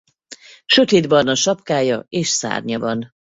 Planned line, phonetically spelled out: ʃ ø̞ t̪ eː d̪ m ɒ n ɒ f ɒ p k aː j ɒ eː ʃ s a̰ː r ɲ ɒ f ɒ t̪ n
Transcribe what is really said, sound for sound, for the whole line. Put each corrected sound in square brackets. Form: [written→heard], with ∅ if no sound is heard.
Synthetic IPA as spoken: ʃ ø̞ t̪ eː d̪ [m→b] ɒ n ɒ [f→ʃ] ɒ p k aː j ɒ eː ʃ s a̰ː r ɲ ɒ [f→v] ɒ [t̪→∅] n